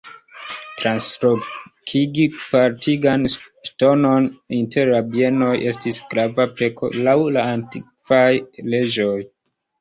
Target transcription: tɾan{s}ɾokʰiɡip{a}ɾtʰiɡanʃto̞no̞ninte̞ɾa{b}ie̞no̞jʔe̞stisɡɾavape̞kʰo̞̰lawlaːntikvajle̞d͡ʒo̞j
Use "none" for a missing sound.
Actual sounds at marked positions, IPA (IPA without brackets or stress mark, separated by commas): s, a, b